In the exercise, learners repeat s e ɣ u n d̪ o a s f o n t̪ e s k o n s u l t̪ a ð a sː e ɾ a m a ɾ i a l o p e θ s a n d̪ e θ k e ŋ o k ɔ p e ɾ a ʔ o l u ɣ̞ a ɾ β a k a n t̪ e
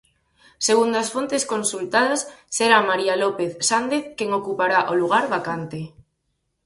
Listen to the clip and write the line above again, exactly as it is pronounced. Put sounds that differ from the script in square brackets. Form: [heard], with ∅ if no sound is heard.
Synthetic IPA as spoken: s e ɣ u n d̪ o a s f o n t̪ e s k o n s u l t̪ a ð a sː e ɾ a m a ɾ i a l o p e θ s a n d̪ e θ k e ŋ o k [u] p [a] ɾ a ʔ o l u ɣ̞ a ɾ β a k a n t̪ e